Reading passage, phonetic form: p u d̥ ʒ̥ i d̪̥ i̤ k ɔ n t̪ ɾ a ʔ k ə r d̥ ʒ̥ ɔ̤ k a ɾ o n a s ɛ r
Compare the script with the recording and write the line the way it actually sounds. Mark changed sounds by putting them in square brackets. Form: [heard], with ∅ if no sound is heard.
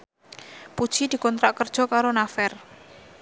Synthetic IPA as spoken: p u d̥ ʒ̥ i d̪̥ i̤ k ɔ n t̪ ɾ a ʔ k ə r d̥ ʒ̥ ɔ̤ k a ɾ o n a [f] ɛ r